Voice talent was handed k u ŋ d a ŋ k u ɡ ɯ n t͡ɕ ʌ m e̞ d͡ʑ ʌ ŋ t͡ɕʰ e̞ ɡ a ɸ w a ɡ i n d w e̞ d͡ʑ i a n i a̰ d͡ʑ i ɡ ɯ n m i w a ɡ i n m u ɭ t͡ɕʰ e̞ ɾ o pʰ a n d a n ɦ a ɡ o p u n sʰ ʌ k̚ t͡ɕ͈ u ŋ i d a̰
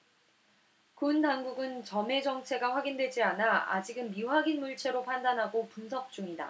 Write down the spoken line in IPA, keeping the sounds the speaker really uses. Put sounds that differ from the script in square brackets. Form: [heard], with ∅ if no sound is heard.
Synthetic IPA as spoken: k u [n] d a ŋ [ɡ] u ɡ ɯ n t͡ɕ ʌ m e̞ d͡ʑ ʌ ŋ t͡ɕʰ e̞ ɡ a ɸ w a ɡ i n d w e̞ d͡ʑ i a n [a] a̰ d͡ʑ i ɡ ɯ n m i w a ɡ i n m u ɭ t͡ɕʰ e̞ ɾ o pʰ a n d a n ɦ a ɡ o p u n sʰ ʌ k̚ t͡ɕ͈ u ŋ i d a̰